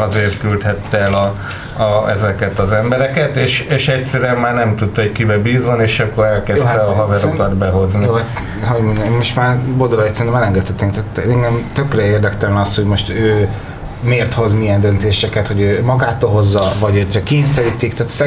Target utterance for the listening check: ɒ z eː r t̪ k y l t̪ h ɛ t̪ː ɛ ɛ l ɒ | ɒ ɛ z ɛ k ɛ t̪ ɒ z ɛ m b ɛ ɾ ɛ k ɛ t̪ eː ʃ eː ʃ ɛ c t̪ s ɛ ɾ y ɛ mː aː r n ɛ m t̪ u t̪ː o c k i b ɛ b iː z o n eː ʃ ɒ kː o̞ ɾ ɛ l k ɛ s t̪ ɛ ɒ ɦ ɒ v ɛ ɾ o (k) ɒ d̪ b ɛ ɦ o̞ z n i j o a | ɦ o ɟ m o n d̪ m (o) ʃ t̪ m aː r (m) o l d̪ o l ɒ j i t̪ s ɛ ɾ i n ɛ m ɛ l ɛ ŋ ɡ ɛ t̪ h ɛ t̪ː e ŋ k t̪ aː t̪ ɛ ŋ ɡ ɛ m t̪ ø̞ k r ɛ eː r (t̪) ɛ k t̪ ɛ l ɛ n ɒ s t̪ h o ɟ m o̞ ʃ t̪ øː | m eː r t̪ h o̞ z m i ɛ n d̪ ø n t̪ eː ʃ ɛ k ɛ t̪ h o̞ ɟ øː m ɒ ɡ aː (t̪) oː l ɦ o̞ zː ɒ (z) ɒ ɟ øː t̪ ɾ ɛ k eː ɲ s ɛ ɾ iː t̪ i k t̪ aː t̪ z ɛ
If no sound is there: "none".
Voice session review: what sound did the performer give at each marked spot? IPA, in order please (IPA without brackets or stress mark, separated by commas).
k, o, b, d̪, t̪, v